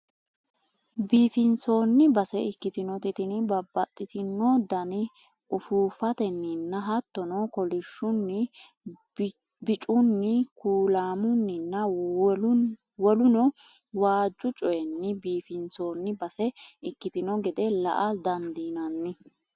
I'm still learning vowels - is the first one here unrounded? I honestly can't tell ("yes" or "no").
yes